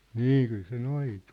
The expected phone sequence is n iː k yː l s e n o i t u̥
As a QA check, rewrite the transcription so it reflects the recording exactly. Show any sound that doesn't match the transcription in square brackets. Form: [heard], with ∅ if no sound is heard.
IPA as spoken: n iː k [y] l s e n o i t u̥